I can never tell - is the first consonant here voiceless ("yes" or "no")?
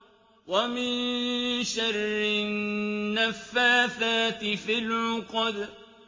no